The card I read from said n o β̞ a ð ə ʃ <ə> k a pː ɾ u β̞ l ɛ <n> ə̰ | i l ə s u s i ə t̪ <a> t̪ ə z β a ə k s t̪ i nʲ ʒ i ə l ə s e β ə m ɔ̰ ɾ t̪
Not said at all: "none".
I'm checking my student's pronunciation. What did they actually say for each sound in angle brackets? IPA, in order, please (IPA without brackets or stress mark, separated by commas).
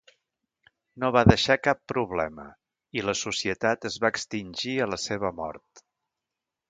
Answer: a, m, a